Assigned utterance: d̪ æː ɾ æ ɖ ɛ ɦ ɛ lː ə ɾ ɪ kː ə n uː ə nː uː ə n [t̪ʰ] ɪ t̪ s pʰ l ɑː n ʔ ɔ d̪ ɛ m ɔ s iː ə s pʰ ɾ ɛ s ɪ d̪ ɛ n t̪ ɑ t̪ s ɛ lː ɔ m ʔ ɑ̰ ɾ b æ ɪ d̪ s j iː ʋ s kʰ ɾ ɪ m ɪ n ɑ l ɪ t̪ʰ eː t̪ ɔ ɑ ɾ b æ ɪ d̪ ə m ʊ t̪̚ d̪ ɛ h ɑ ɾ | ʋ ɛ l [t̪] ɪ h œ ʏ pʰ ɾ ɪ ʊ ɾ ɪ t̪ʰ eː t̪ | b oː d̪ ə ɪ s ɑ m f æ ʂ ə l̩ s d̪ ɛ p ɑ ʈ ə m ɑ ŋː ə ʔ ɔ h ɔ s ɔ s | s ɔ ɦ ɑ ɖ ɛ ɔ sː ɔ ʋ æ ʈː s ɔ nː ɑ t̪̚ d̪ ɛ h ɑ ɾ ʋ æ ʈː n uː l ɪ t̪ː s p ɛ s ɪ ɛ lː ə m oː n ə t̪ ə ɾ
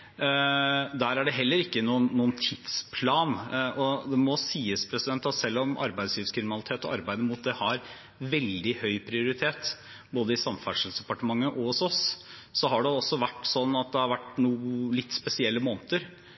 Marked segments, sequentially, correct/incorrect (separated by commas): correct, incorrect